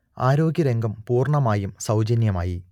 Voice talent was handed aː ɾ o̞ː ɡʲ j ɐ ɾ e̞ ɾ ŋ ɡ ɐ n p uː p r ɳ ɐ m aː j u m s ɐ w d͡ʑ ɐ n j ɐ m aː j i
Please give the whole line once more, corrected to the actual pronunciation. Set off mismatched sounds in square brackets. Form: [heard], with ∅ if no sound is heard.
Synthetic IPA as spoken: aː ɾ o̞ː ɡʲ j ɐ ɾ e̞ [∅] ŋ ɡ ɐ [m] p uː [∅] r ɳ ɐ m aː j u m s ɐ w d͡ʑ ɐ n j ɐ m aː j i